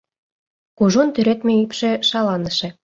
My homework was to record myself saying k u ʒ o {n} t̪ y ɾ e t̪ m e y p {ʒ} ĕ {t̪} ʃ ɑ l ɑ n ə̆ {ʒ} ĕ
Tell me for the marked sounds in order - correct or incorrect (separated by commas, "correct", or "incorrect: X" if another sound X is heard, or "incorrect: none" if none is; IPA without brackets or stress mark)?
correct, incorrect: ʃ, incorrect: none, incorrect: ʃ